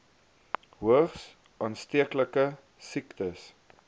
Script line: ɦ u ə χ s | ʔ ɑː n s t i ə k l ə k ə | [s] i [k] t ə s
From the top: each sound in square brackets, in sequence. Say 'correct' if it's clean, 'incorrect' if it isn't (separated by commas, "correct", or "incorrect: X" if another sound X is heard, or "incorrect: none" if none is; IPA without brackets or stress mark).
correct, correct